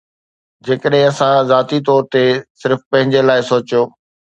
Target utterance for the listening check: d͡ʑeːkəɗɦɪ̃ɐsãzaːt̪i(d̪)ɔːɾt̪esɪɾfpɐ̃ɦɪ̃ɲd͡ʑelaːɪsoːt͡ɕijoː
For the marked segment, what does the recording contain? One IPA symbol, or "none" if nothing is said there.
t̪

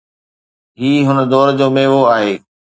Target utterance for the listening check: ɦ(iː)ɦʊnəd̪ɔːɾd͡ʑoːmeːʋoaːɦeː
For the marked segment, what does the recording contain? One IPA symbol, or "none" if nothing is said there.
iː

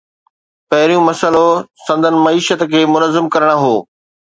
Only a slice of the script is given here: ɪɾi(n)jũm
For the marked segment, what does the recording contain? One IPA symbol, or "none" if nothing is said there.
none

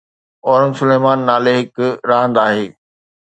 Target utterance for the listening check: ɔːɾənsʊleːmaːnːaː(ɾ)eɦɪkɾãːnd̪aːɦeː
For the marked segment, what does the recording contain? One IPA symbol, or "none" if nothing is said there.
l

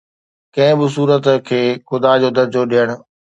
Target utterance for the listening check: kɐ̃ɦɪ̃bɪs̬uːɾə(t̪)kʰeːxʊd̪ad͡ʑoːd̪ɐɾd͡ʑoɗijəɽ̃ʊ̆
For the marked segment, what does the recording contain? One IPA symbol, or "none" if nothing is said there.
t̪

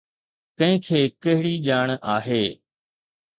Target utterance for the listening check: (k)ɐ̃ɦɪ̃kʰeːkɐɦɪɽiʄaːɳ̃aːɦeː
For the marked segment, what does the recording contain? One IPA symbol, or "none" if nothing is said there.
k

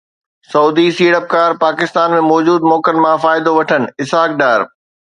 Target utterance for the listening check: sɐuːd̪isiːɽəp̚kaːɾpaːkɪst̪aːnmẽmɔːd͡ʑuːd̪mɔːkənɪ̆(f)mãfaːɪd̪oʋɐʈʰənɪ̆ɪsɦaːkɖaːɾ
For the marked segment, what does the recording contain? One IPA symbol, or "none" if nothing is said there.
none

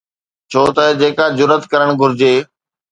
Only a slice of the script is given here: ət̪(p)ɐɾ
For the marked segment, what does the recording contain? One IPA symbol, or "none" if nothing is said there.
k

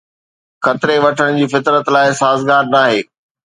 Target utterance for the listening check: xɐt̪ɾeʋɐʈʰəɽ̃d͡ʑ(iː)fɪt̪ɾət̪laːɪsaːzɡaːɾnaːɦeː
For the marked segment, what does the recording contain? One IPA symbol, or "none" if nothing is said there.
iː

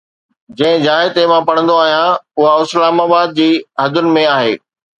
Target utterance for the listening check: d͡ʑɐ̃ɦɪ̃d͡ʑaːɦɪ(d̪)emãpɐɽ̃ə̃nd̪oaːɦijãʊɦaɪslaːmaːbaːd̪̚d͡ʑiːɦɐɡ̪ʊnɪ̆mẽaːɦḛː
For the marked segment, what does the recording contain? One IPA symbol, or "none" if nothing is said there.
t̪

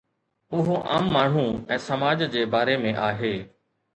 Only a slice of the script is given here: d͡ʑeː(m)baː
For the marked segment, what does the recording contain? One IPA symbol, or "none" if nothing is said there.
none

